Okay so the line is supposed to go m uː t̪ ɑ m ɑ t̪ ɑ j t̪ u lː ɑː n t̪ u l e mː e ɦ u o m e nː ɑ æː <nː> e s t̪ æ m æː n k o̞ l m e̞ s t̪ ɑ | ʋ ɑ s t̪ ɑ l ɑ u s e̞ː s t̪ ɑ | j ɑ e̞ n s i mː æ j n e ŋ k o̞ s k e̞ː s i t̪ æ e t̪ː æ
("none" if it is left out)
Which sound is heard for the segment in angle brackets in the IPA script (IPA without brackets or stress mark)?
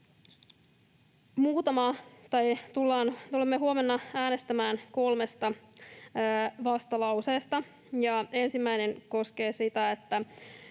n